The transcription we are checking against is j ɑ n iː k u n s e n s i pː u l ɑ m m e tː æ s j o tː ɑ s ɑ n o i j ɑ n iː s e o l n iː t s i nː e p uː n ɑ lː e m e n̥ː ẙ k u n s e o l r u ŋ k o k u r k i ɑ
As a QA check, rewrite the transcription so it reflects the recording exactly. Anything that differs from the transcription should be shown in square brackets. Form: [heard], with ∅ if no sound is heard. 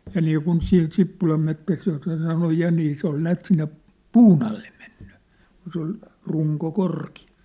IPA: j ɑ n iː k u n s [i] n s i pː u l ɑ m m e tː æ s j o [sː] ɑ s ɑ n o [j] j ɑ n iː s e o l n [æː] t s i nː e p uː n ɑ lː e m e n̥ː ẙ k u n s e o l r u ŋ k o k [o] r k i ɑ

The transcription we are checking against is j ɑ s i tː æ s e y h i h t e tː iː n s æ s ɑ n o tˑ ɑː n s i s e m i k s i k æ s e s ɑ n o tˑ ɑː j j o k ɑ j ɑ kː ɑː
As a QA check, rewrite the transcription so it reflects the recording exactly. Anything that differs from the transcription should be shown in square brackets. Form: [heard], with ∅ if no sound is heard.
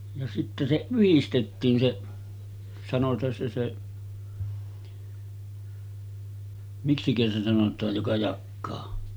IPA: j ɑ s i tː æ s e y h i [s] t e tː iː n s [e] s ɑ n o tˑ ɑː n s [e] s e m i k s i k æ s e s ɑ n o tˑ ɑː j j o k ɑ j ɑ kː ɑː

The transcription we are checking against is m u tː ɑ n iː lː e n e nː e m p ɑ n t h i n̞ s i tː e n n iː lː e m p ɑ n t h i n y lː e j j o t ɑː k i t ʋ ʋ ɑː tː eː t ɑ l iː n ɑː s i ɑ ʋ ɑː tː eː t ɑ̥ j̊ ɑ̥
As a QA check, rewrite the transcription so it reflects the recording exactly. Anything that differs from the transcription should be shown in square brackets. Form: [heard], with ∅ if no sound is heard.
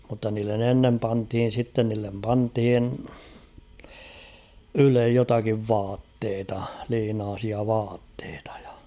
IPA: m u tː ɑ n iː lː e n e nː e m p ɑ n t h i n̞ s i tː e n n iː lː e m p ɑ n t h i n y [l] e j j o t [ɑ] k i [∅] ʋ ʋ ɑː tː eː t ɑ l iː n ɑː s i ɑ ʋ ɑː tː eː t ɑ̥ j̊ ɑ̥

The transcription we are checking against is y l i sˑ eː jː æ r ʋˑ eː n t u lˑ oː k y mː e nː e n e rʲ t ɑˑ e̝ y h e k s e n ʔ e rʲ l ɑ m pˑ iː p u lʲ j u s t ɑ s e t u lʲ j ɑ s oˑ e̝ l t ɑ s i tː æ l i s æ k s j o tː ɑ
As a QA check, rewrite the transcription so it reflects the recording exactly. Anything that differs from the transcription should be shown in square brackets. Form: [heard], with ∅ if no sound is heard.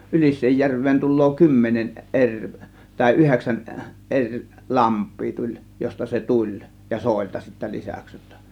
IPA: y l i sˑ eː jː æ r ʋˑ eː n t u lˑ oː k y mː e [n] e n e rʲ t ɑˑ e̝ y h e k s [æ] n ʔ e rʲ l ɑ m pˑ iː [t] u lʲ j [o] s t ɑ s e t u lʲ j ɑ s oˑ e̝ l t ɑ s i tː æ l i s æ k s j o tː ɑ

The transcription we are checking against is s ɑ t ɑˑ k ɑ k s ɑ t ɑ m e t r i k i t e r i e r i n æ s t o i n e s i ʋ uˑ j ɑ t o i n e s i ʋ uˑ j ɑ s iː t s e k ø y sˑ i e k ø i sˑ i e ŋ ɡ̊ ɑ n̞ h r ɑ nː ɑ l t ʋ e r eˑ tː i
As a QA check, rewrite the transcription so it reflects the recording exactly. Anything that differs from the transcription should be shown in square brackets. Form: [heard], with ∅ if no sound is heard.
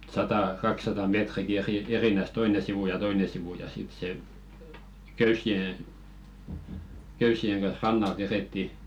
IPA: s ɑ t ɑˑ k ɑ k s ɑ t ɑ m e t r i k i [∅] e r i e r i n æ s t o i n e s i ʋ uˑ j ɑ t o i n e s i ʋ uˑ j ɑ s [i] t s e k ø y sˑ i e k ø [y] sˑ i e ŋ ɡ̊ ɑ n̞ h r ɑ nː ɑ l t ʋ e r eˑ tː i

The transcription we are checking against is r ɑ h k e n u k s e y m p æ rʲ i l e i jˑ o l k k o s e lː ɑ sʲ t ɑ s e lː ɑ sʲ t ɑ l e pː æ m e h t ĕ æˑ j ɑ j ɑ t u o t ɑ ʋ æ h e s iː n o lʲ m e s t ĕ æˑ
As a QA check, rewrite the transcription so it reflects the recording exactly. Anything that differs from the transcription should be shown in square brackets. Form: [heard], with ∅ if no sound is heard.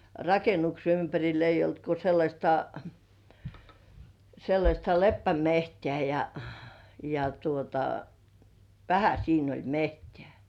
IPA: r ɑ [∅] k e n u k s e y m p æ rʲ i l e i jˑ o l [t] k o s e lː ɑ sʲ t ɑ s e lː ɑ sʲ t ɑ l e pː æ m e h t ĕ æˑ j ɑ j ɑ t u o t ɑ ʋ æ h [æ] s iː n o lʲ m e [h] t ĕ æˑ

